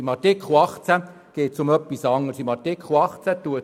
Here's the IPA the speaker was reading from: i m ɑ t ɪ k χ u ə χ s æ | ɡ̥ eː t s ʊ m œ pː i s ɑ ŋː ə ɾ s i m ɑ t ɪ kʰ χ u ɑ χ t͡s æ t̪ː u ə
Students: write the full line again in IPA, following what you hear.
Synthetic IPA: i m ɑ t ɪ k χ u ɑ χ t͡s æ | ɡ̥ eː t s ʊ m œ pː i s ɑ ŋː ə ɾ s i m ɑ t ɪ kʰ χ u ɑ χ t͡s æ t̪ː u ə